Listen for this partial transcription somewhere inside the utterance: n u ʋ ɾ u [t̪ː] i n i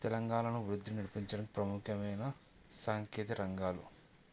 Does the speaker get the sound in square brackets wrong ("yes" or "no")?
yes